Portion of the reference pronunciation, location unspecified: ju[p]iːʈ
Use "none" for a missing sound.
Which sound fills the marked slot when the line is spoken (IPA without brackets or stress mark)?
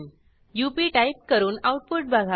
p